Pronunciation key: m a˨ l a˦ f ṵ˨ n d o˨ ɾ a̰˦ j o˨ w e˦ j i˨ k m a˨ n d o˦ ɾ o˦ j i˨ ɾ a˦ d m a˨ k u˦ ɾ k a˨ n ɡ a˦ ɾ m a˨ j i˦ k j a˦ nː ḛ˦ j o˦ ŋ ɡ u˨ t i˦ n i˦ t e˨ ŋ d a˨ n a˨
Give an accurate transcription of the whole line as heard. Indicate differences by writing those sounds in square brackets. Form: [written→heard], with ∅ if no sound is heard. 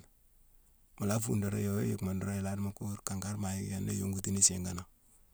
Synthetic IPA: m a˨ l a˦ f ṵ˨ n d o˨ ɾ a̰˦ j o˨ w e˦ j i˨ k m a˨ n d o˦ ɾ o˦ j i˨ [ɾ→l] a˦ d m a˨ k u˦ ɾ k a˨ [n→ŋ] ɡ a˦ ɾ m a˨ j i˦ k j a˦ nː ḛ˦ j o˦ ŋ ɡ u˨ t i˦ n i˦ [t→s] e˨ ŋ [d→ɡ] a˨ n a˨

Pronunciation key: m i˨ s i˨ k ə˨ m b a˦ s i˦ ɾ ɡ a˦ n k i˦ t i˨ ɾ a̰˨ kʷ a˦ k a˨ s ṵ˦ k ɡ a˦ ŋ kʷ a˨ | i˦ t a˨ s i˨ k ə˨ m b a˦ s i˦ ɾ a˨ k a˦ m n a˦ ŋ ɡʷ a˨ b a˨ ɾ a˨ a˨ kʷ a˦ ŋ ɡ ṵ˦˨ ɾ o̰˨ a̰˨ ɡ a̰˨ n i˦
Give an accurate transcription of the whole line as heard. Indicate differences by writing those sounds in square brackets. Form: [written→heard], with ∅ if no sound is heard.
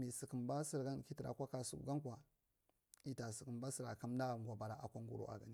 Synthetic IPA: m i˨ s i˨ k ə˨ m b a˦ s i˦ ɾ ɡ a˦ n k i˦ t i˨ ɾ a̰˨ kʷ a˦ k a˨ s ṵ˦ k ɡ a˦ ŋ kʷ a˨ | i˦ t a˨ s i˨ k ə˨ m b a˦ s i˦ ɾ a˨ k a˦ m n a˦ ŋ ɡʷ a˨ b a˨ ɾ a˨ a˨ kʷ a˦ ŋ ɡ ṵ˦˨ ɾ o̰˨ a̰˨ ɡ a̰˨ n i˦

